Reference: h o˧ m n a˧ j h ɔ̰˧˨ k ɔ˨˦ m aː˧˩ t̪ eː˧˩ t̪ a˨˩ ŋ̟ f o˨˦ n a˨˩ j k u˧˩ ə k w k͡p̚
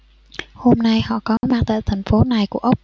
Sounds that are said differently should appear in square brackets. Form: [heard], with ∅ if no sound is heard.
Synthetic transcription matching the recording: h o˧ m n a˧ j h ɔ̰˧˨ k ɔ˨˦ m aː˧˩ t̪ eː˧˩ [t̪ʰ] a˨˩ ŋ̟ f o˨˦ n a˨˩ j k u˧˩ ə [ʔ] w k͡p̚

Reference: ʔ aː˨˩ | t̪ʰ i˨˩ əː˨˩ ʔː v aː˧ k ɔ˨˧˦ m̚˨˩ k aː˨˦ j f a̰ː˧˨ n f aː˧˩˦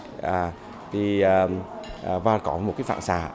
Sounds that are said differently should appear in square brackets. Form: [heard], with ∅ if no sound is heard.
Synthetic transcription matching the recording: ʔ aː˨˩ | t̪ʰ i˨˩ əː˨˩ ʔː v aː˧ k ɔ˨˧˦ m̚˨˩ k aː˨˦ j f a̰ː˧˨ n [s] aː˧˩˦

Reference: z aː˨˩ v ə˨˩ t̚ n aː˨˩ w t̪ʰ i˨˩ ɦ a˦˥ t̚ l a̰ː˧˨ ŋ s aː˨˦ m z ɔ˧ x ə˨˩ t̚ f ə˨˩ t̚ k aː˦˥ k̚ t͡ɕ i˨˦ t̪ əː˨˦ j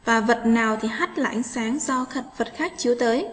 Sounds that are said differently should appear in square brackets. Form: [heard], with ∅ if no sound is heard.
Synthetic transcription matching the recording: [v] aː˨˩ v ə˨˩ t̚ n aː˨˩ w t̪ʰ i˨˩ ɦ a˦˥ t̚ l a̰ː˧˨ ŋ s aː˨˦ [ŋ] z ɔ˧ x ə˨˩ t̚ [v] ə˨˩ t̚ [x] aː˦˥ k̚ t͡ɕ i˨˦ t̪ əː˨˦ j

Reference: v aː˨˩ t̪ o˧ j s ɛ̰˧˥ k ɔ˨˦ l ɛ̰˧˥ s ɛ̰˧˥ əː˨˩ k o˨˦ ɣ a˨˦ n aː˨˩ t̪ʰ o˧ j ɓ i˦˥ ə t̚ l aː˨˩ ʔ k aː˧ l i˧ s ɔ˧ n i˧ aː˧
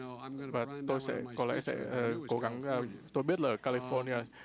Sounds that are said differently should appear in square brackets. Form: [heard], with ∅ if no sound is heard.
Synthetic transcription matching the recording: v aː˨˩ t̪ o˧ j s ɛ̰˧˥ k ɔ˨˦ l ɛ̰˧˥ s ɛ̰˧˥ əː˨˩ k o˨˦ ɣ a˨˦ [ŋ] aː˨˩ [t̪] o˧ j ɓ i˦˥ ə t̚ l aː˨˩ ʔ k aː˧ l i˧ [f] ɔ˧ n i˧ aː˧

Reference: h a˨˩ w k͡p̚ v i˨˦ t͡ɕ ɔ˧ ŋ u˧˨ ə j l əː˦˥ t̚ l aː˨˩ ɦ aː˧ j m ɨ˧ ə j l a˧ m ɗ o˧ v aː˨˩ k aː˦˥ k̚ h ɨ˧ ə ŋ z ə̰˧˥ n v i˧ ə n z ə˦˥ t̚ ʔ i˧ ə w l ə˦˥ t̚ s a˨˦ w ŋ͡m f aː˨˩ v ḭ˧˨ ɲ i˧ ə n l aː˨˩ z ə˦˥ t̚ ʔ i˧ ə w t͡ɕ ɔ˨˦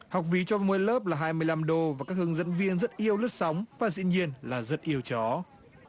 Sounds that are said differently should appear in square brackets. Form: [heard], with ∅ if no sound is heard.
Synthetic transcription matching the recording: h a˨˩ w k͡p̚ v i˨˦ t͡ɕ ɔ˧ [m] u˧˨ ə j l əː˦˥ [p̚] l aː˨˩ ɦ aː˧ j m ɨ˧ ə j l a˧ m ɗ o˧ v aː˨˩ k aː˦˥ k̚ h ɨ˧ ə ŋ z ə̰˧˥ n v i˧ ə n z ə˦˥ t̚ ʔ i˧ ə w l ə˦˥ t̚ s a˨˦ w ŋ͡m [v] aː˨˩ [z] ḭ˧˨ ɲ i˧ ə n l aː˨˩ z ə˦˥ t̚ ʔ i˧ ə w t͡ɕ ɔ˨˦

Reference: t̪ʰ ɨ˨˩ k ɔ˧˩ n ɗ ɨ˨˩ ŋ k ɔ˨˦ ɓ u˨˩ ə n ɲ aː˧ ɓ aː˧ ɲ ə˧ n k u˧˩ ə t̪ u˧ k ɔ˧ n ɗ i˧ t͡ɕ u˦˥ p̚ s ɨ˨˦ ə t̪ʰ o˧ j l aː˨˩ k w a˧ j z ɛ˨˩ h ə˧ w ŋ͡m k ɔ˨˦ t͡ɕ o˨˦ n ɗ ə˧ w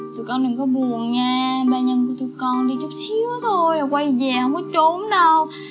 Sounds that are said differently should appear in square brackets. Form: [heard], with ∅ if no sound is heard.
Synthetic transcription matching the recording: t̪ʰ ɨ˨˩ k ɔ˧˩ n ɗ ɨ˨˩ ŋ k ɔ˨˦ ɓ u˨˩ ə n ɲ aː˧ ɓ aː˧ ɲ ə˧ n k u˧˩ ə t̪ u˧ k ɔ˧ n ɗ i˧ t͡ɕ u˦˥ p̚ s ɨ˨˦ ə t̪ʰ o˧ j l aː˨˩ k w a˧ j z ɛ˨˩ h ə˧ w ŋ͡m k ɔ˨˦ t͡ɕ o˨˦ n ɗ ə˧ w

